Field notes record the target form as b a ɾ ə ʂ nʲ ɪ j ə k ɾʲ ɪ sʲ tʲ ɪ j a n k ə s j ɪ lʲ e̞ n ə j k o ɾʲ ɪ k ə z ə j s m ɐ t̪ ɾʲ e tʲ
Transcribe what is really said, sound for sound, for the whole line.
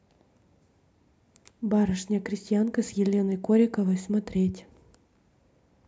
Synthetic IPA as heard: b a ɾ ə ʂ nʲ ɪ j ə k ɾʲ ɪ sʲ tʲ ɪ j a n k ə s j ɪ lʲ e̞ n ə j k o ɾʲ ɪ k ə v ə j s m ɐ t̪ ɾʲ e tʲ